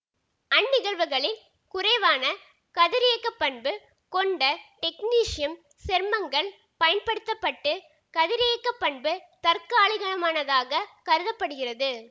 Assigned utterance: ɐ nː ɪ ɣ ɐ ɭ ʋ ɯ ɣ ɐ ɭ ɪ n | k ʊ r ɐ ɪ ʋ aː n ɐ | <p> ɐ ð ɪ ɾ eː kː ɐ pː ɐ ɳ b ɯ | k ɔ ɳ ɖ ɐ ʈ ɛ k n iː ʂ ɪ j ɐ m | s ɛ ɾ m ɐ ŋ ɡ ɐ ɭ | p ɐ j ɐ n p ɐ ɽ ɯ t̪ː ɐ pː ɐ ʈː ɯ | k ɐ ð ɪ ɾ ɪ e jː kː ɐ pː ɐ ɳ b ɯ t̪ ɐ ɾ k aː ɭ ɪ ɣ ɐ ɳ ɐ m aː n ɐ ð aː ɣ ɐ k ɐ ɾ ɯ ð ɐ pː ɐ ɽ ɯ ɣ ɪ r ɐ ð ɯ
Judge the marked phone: incorrect: k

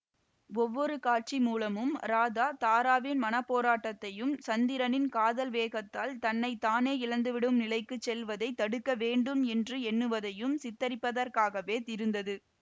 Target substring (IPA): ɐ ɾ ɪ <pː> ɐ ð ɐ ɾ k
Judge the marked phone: correct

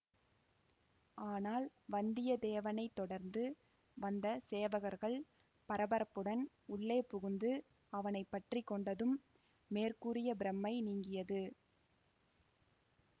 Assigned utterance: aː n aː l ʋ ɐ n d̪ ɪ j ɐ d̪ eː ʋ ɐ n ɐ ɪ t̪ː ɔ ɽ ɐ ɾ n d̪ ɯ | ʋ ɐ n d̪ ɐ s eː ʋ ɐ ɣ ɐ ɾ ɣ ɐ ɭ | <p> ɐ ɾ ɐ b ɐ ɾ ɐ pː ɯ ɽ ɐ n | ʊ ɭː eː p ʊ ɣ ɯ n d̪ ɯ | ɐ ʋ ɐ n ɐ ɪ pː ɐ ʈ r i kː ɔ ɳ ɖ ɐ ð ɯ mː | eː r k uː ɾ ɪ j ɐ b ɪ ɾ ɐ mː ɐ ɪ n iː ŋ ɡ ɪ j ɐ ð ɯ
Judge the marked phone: correct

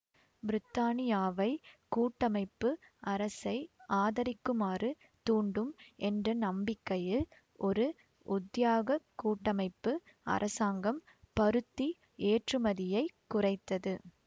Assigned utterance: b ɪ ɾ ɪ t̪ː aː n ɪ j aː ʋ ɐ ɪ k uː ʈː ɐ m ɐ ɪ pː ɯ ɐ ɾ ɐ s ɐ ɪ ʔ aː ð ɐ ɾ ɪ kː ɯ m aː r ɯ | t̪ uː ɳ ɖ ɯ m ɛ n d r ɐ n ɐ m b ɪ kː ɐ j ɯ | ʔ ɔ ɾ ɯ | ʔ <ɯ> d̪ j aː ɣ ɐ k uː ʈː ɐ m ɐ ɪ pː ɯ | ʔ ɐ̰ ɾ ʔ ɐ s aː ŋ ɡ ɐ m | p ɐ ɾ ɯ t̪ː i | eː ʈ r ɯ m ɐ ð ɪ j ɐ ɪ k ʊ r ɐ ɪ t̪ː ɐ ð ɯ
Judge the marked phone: incorrect: ʊ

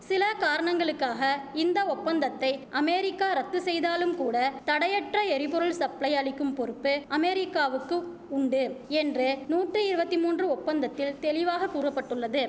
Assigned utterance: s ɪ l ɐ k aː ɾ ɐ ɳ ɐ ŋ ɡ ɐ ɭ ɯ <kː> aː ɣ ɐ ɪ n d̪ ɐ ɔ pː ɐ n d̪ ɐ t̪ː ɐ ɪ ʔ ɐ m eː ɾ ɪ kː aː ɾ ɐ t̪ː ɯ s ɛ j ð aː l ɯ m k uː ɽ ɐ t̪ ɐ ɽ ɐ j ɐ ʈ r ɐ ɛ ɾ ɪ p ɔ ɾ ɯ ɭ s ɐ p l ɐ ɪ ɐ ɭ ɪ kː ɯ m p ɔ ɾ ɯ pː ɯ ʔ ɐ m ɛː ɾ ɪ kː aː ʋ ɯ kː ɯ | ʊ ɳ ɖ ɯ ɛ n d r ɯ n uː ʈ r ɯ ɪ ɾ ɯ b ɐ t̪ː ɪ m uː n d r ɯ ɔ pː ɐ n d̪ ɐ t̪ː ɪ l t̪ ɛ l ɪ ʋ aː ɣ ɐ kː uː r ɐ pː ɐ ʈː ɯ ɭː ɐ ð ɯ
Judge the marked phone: correct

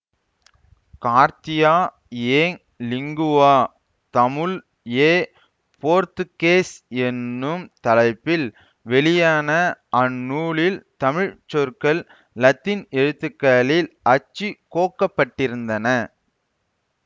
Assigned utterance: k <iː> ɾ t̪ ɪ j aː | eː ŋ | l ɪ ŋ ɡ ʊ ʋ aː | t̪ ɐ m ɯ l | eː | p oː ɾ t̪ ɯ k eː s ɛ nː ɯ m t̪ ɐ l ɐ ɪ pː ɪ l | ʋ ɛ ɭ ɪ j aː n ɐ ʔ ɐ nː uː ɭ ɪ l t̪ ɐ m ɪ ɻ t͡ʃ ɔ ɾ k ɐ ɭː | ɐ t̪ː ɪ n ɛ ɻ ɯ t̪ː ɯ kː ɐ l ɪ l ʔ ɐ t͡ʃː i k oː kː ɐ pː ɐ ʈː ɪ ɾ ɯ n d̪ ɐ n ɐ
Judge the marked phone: incorrect: aː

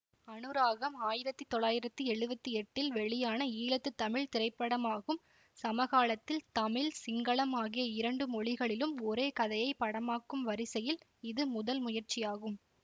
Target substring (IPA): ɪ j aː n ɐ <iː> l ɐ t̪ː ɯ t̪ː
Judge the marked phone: correct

